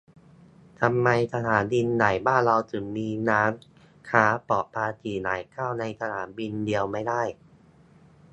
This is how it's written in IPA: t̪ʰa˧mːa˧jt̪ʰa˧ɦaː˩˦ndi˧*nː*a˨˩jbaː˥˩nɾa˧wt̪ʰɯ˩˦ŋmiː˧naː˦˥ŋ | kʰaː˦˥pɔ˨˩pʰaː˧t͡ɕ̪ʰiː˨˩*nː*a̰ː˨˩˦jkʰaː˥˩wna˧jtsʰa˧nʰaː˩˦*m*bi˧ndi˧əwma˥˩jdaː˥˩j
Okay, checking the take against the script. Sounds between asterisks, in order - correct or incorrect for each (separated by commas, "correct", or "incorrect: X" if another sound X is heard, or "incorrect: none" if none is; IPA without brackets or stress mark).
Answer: correct, incorrect: n, incorrect: n